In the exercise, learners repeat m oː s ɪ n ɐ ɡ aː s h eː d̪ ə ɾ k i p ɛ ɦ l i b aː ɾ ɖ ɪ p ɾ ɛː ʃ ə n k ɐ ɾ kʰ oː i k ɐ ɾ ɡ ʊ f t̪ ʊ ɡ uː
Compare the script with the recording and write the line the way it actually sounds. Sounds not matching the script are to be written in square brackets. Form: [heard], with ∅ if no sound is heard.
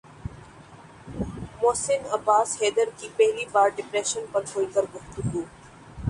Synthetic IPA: m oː s ɪ n ɐ [b] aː s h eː d̪ ə ɾ k i p ɛ ɦ l i b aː ɾ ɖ ɪ p ɾ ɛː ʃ ə n [p] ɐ ɾ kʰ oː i k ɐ ɾ ɡ ʊ f t̪ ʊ ɡ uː